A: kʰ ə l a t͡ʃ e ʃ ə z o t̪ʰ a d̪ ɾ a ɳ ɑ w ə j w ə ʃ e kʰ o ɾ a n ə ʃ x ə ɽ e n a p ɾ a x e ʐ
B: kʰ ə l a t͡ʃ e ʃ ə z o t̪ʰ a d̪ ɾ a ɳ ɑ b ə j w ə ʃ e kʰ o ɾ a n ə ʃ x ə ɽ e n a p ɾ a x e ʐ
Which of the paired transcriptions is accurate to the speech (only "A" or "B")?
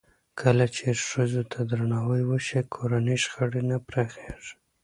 A